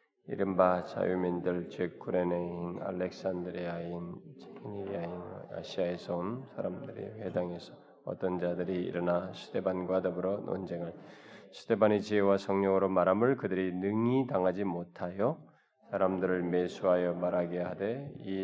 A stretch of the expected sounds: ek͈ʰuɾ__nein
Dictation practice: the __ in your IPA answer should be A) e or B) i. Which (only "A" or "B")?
A